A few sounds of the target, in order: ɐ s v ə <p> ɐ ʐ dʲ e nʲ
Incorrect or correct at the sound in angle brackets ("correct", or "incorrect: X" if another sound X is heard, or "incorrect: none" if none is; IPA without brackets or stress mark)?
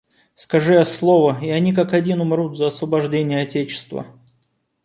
incorrect: b